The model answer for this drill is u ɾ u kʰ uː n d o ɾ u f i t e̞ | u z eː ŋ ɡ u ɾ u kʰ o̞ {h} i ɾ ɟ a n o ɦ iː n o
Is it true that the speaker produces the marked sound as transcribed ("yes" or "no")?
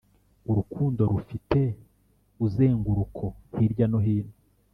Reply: yes